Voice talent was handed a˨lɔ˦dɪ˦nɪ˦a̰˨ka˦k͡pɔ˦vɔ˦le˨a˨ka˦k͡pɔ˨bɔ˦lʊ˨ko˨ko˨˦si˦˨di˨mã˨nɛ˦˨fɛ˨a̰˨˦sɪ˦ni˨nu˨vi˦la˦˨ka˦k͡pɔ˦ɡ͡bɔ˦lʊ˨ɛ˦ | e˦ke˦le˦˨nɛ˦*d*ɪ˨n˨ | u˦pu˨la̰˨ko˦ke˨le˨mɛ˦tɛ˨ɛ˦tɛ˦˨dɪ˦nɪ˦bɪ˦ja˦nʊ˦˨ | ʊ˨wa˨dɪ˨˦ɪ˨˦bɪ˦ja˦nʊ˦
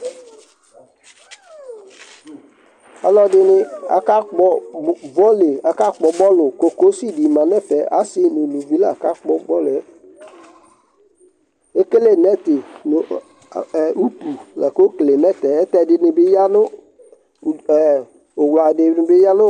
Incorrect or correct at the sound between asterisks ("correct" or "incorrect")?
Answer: incorrect